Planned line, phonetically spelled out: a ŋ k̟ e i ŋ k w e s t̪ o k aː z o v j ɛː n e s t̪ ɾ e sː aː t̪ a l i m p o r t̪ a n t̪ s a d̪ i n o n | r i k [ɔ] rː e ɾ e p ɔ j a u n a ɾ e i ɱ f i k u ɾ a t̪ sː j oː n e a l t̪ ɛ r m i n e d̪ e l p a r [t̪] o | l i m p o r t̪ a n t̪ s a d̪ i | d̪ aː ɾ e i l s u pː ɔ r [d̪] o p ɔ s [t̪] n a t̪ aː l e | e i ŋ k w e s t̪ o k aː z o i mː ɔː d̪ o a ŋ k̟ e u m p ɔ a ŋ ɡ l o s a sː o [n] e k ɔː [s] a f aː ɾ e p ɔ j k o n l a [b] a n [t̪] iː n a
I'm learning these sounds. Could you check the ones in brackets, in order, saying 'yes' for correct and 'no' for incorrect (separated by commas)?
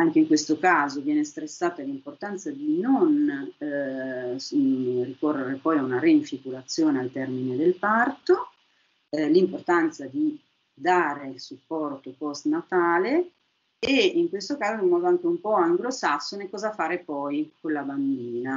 no, yes, no, yes, yes, no, yes, no